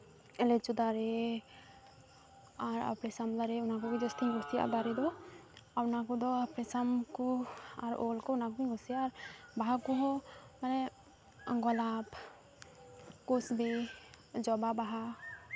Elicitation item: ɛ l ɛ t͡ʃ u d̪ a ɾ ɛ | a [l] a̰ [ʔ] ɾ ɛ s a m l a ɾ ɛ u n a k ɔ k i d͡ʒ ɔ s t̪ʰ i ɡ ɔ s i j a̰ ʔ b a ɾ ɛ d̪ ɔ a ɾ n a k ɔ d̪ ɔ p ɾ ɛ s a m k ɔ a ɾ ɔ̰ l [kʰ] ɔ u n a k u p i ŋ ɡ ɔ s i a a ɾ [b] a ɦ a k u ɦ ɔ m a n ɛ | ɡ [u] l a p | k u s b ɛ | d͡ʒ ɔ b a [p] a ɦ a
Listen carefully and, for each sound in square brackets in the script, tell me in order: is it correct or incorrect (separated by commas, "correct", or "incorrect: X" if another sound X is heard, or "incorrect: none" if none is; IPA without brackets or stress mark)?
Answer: incorrect: ɾ, incorrect: p, incorrect: k, correct, incorrect: ɔ, incorrect: b